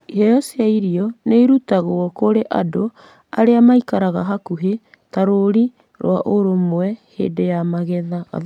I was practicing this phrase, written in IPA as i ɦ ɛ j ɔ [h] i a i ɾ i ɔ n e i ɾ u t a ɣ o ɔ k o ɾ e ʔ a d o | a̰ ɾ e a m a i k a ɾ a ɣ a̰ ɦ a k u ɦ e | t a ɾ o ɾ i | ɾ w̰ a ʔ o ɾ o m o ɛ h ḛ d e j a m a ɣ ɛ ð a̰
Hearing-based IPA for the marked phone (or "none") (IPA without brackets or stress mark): s